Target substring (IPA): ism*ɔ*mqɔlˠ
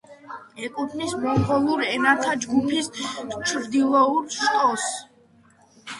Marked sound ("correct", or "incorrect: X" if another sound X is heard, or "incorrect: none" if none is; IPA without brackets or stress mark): correct